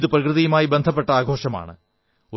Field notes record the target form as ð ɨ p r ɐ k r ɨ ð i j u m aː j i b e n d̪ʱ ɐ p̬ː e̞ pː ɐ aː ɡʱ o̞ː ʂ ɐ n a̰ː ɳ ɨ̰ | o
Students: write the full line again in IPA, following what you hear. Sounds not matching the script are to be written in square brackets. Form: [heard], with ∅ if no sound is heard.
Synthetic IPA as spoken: ð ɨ p r ɐ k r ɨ ð i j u m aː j i b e n d̪ʱ ɐ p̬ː e̞ [ʈː] ɐ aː ɡʱ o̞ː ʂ ɐ [m] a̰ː ɳ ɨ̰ | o